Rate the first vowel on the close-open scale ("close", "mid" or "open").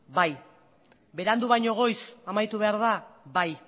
open